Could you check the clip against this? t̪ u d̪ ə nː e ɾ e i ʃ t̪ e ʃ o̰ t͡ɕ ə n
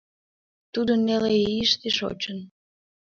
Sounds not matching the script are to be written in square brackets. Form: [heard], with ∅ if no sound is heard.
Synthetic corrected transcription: t̪ u d̪ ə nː e [l] e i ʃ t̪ e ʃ o̰ t͡ɕ ə n

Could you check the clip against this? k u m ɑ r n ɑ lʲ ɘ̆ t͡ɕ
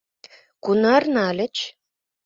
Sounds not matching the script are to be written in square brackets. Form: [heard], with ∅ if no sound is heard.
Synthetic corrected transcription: k u [n] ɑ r n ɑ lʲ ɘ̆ t͡ɕ

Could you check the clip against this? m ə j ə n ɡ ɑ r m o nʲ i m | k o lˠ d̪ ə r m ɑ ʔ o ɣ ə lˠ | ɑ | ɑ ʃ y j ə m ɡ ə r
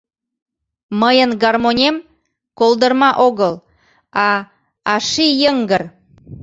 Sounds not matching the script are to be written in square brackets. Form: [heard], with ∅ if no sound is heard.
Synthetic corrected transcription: m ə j ə n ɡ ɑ r m o nʲ [e] m | k o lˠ d̪ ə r m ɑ ʔ o ɣ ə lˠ | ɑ | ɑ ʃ [i] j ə [ŋ] ɡ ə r

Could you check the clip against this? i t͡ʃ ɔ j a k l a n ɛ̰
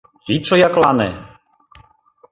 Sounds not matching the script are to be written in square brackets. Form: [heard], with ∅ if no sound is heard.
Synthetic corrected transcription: i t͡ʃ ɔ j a k l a n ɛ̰

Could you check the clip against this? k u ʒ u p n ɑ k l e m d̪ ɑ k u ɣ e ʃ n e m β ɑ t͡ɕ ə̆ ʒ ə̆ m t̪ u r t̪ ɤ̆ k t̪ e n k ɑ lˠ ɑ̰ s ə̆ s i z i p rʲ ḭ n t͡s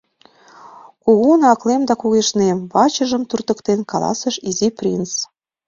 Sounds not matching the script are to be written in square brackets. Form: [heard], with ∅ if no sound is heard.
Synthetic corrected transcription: k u [ɣ] u [∅] n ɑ k l e m d̪ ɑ k u ɣ e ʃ n e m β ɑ t͡ɕ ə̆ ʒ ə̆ m t̪ u r t̪ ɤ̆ k t̪ e n k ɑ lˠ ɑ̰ s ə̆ [ʃ] i z i p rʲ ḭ n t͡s

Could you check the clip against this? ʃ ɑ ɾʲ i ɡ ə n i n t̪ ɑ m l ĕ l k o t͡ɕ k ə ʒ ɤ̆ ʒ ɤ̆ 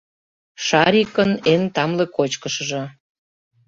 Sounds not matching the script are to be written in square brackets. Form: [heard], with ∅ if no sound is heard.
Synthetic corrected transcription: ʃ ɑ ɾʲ i [k] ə n [e] n t̪ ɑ m l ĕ [∅] k o t͡ɕ k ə [ʃ] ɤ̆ ʒ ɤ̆

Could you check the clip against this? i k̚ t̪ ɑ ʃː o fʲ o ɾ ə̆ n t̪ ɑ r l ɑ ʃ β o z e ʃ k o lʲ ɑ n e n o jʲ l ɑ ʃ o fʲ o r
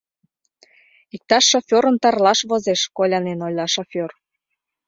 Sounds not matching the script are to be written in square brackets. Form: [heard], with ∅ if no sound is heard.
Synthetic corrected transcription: i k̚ t̪ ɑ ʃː o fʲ o ɾ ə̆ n t̪ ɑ r l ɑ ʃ β o z e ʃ k o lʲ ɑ n e n o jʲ l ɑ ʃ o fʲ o r

